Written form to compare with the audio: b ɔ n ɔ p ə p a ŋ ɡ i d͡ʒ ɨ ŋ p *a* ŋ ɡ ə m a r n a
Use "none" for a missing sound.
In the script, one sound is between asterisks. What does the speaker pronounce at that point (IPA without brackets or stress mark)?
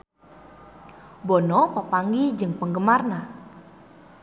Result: ə